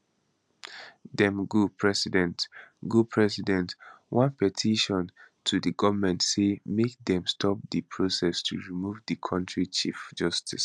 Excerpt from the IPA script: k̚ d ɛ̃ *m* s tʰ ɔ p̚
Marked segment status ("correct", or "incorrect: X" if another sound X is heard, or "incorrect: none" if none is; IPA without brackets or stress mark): correct